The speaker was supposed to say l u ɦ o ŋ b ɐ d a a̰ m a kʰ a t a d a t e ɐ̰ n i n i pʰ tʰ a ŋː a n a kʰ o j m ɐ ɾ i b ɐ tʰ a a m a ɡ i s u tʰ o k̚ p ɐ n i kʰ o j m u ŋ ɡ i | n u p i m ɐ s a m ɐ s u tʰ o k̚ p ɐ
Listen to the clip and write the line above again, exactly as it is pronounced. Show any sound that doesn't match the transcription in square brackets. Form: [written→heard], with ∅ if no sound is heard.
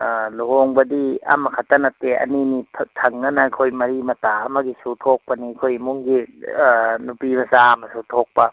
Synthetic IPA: l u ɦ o ŋ b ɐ d [a→i] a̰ m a kʰ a t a [d→n] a t e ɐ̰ n i n i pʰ tʰ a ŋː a n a kʰ o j m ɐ ɾ i [b→m] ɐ [tʰ→t] a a m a ɡ i s u tʰ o k̚ p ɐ n i kʰ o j m u ŋ ɡ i | n u p i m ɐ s a m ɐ s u tʰ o k̚ p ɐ